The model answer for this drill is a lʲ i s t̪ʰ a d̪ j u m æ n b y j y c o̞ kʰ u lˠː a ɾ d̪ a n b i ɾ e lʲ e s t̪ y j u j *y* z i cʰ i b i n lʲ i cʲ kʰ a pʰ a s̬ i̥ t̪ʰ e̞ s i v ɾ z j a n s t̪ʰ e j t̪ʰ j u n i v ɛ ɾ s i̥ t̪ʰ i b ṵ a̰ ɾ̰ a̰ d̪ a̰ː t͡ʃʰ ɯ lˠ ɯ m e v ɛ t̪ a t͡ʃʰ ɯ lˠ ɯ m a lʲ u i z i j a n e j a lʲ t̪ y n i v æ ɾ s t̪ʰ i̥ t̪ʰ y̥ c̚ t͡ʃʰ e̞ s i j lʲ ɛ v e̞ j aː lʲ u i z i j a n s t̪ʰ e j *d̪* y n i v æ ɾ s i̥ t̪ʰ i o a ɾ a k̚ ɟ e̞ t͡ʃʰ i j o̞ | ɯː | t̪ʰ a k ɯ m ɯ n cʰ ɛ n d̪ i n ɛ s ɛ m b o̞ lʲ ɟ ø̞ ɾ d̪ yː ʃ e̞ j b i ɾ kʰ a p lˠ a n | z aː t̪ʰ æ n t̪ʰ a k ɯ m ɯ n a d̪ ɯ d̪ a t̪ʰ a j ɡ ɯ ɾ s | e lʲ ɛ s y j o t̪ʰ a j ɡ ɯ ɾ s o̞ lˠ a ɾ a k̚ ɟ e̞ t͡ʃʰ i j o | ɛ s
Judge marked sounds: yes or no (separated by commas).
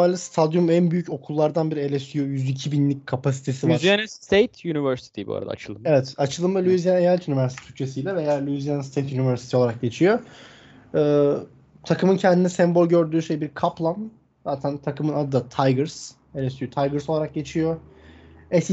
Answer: yes, no